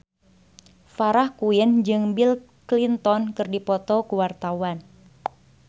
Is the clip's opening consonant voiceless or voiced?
voiceless